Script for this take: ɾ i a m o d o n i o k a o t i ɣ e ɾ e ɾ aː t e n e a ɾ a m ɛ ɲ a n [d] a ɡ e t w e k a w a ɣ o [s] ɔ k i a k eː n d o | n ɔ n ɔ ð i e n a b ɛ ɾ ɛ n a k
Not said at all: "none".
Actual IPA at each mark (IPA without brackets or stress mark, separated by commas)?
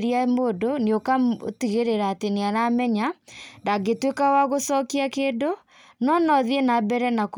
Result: d, s